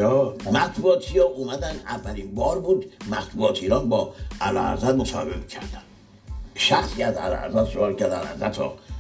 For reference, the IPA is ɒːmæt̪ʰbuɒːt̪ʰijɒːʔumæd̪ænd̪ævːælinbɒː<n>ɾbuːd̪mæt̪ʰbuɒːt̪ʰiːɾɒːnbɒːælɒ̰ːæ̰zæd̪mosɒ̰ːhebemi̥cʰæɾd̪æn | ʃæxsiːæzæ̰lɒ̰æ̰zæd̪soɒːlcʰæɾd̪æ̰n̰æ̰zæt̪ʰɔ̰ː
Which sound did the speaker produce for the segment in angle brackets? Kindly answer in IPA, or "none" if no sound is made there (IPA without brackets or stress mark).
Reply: none